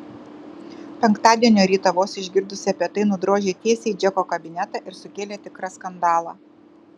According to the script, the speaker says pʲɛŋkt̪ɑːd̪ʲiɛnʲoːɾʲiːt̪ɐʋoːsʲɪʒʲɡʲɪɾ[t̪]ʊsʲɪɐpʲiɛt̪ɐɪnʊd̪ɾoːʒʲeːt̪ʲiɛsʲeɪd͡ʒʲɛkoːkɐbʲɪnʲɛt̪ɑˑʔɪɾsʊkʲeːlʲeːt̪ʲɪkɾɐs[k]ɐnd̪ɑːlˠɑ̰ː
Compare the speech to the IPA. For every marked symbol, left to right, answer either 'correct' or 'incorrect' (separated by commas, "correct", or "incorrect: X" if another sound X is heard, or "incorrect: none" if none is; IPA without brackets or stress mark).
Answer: incorrect: d̪, correct